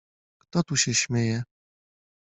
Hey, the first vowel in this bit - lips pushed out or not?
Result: yes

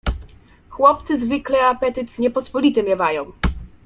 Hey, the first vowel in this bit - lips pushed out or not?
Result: yes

